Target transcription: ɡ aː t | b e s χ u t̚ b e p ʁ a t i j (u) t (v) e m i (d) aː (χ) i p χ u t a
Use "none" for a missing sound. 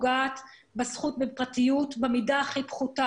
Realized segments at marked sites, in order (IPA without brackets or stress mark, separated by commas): u, b, d, χ